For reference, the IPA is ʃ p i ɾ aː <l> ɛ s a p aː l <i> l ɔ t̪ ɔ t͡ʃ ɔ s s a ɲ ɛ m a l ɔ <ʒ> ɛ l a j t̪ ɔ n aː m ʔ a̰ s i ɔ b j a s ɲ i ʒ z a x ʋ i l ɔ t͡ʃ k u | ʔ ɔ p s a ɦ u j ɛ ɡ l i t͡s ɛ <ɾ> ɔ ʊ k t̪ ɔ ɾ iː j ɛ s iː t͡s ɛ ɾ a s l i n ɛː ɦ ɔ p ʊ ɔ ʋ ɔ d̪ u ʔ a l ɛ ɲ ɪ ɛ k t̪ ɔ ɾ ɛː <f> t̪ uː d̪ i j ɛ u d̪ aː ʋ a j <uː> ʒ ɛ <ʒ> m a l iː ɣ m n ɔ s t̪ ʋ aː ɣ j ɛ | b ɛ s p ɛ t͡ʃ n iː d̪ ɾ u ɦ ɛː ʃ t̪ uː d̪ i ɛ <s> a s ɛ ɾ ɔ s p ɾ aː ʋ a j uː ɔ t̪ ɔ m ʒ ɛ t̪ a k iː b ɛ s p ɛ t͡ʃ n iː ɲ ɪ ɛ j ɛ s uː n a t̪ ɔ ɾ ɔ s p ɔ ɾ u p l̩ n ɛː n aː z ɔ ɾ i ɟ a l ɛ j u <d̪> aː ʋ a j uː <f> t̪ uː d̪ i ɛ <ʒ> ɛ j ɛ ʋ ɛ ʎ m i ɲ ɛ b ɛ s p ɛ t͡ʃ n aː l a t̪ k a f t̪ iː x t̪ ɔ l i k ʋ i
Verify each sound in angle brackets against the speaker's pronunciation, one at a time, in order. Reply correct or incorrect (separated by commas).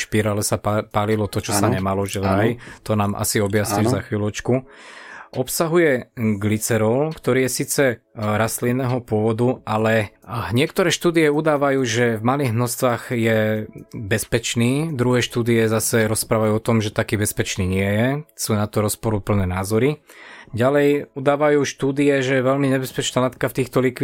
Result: correct, correct, correct, correct, incorrect, correct, incorrect, incorrect, correct, incorrect, correct